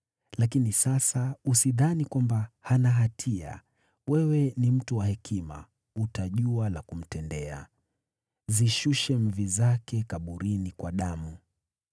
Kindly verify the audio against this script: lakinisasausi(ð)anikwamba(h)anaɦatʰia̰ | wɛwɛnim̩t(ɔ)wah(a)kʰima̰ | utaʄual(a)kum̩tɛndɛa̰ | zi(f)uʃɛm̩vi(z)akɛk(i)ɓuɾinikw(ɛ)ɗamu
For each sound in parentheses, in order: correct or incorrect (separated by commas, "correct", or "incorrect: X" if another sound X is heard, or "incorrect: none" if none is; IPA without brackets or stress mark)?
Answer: correct, correct, incorrect: u, incorrect: ɛ, correct, incorrect: ʃ, correct, incorrect: a, incorrect: a